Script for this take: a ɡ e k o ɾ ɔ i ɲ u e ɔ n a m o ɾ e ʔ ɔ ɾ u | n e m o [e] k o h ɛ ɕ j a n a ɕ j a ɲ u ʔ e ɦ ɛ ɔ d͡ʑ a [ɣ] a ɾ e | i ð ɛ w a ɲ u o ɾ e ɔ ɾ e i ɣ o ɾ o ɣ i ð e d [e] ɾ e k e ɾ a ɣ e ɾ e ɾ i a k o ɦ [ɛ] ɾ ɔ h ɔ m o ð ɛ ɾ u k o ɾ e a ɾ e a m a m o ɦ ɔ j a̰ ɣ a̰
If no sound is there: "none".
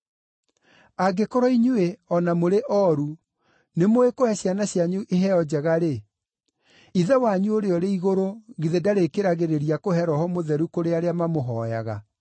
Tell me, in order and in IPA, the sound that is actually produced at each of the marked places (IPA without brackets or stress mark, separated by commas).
e, ɣ, a, ɛ